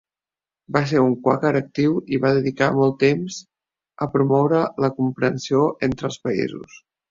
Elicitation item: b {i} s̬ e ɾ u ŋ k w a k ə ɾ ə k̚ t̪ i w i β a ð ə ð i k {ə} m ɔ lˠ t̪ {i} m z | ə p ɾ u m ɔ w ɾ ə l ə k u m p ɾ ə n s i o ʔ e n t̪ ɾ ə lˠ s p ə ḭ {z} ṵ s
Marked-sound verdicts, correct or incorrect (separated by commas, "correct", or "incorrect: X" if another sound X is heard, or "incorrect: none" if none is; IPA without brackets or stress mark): incorrect: a, incorrect: a, incorrect: e, correct